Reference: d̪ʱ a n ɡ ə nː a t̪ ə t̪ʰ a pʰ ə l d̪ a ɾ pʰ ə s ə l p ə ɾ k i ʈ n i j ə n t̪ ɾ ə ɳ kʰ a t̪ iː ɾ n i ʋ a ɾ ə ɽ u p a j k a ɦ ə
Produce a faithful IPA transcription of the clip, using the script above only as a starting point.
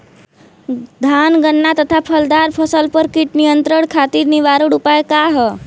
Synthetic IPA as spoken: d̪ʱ a n ɡ ə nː a t̪ ə t̪ʰ a pʰ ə l d̪ a ɾ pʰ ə s ə l p ə ɾ k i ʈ n i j ə n t̪ ɾ ə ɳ kʰ a t̪ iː ɾ n i ʋ a ɾ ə ɽ u p a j k a ɦ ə